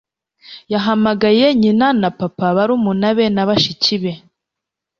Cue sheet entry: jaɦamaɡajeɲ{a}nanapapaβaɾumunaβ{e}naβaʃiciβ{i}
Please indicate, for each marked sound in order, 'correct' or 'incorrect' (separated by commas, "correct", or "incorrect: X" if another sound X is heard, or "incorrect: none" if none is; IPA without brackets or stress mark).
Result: incorrect: i, correct, incorrect: e